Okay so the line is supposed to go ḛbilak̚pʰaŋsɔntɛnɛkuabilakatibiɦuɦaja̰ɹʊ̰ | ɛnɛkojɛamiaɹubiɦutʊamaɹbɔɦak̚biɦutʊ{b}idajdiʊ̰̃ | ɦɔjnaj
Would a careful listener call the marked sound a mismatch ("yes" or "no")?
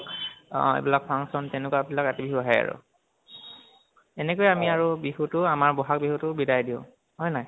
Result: no